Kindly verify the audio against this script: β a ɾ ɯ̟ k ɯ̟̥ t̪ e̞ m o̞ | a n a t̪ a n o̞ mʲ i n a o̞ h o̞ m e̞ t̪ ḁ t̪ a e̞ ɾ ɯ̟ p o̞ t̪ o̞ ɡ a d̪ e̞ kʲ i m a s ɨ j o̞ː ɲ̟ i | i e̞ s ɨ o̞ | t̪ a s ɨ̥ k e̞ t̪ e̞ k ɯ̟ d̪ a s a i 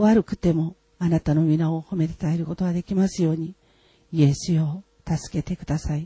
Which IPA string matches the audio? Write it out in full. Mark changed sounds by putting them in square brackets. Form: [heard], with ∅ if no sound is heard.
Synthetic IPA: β a ɾ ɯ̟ k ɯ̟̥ t̪ e̞ m o̞ | a n a t̪ a n o̞ mʲ i n a o̞ h o̞ m e̞ t̪ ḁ t̪ a e̞ ɾ ɯ̟ [k] o̞ t̪ o̞ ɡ a d̪ e̞ kʲ i m a s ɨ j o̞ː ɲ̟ i | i e̞ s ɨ o̞ | t̪ a s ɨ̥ k e̞ t̪ e̞ k ɯ̟ d̪ a s a i